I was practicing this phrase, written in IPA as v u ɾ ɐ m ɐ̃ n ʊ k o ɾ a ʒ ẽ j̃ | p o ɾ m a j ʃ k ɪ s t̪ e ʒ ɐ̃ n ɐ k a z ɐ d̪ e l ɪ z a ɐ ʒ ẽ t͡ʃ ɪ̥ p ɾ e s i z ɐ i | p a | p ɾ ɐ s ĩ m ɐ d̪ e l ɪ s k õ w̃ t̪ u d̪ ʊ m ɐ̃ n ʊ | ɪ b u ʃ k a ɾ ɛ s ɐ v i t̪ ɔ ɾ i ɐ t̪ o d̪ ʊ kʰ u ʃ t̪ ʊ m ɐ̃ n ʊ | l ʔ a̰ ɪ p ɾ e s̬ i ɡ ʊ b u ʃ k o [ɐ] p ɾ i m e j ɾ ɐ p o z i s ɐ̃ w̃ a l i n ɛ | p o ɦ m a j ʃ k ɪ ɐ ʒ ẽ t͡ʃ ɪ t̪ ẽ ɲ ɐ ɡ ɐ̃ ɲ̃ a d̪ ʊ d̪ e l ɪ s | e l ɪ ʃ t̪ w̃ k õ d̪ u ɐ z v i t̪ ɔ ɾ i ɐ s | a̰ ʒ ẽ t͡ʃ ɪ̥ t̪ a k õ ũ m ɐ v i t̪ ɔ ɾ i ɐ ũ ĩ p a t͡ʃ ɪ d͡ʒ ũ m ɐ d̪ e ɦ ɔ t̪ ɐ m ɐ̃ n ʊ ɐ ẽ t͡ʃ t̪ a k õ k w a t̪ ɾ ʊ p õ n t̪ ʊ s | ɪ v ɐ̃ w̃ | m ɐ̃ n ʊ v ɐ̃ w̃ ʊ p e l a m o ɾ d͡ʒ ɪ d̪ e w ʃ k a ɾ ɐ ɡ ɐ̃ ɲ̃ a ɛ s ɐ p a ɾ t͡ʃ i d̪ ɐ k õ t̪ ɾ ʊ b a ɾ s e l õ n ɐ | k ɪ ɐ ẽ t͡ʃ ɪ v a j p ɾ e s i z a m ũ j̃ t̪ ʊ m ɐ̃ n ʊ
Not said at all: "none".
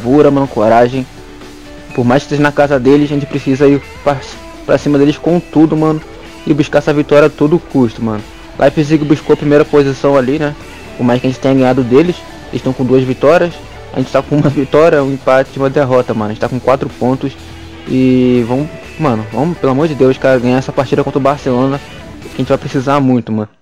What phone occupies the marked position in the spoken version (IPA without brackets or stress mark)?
ɐ